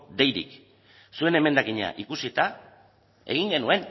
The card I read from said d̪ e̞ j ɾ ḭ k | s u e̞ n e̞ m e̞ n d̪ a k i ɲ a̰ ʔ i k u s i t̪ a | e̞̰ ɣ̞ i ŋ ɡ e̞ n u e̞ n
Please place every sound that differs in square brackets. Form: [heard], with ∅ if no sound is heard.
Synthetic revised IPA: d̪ e̞ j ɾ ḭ k | s u e̞ n e̞ m e̞ n d̪ a k i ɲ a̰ ʔ i k u s i t̪ a | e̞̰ ɣ̞ i ŋ ɡ e̞ n u e̞ n